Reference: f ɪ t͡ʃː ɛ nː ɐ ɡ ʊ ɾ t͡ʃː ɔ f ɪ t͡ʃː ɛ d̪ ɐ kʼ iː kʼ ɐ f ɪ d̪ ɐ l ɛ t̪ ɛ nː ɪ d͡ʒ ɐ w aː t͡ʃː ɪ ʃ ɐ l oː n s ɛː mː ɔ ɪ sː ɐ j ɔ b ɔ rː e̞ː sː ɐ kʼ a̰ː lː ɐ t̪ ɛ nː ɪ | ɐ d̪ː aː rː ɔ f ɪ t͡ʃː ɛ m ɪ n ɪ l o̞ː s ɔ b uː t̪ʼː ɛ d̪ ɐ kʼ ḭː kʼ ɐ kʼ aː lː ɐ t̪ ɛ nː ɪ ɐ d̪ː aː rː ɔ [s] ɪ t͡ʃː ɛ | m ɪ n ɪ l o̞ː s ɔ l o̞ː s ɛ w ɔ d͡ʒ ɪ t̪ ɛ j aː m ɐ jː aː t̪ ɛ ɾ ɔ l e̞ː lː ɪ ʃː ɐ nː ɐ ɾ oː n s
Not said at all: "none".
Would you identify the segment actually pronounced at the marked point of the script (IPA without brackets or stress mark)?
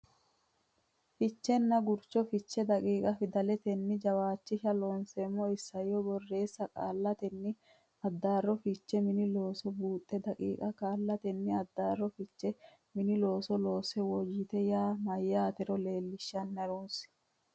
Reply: f